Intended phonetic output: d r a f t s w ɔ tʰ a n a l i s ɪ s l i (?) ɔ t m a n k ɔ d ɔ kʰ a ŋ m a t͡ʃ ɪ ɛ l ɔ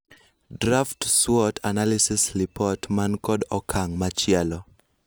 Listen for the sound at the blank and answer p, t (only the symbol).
p